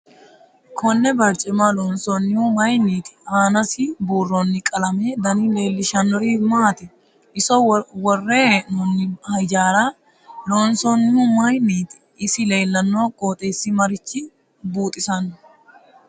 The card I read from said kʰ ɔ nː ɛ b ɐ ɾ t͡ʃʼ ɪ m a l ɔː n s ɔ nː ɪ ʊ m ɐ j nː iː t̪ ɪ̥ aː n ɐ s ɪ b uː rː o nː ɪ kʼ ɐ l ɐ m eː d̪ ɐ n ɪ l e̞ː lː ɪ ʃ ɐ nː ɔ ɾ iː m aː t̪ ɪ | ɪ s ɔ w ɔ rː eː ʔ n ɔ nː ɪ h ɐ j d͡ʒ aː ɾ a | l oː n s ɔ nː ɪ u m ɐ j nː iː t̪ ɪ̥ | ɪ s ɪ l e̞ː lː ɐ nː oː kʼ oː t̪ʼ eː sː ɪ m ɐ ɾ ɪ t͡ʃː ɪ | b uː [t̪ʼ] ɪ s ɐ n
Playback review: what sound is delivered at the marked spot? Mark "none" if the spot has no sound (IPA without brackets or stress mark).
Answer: t̪ʼ